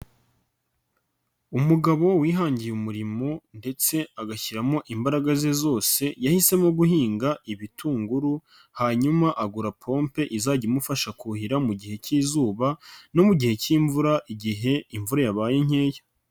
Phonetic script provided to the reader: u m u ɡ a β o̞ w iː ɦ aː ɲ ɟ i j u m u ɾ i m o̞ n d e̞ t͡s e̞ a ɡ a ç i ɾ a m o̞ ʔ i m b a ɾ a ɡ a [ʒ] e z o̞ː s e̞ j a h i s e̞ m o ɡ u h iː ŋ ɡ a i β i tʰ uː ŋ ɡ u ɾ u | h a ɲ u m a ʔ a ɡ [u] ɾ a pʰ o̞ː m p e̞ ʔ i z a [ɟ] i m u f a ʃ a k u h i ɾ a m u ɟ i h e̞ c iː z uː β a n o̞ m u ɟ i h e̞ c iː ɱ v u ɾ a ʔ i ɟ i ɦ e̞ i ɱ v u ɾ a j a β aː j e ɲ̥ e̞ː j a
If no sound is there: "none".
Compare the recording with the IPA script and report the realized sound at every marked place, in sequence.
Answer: z, u, ɟ

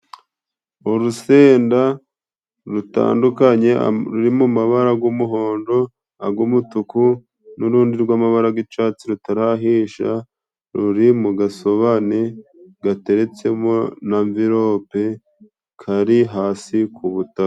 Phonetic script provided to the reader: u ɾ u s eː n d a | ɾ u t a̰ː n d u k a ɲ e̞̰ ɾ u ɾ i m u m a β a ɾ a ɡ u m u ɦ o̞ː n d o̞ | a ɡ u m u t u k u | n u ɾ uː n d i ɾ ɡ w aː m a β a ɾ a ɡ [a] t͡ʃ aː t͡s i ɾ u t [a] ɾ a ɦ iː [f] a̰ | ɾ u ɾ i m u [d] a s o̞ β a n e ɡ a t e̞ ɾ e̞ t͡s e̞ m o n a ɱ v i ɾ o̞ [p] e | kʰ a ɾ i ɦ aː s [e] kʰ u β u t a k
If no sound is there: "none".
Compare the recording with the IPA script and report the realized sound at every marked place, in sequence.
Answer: i, a, ʃ, ɡ, p, i

